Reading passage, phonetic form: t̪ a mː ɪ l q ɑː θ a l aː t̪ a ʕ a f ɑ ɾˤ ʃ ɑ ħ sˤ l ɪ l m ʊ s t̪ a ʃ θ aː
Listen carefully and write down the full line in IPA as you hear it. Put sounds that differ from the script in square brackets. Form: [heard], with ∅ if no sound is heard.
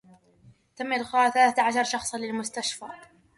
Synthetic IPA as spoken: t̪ a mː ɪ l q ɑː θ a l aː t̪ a ʕ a [ʃ] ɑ ɾˤ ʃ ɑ [x] sˤ l ɪ l m ʊ s t̪ a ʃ [f] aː